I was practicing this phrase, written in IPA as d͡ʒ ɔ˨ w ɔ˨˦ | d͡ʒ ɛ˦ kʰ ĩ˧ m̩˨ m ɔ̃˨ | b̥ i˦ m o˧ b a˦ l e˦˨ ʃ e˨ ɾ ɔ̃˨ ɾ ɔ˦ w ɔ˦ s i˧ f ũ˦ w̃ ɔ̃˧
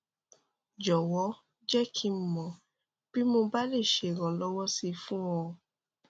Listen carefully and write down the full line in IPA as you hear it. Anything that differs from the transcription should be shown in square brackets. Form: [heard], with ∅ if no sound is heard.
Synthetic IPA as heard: d͡ʒ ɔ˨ w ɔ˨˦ | d͡ʒ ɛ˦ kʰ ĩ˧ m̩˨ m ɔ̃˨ | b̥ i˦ m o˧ b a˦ l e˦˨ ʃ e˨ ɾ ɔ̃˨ [l] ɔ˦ w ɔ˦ s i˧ f ũ˦ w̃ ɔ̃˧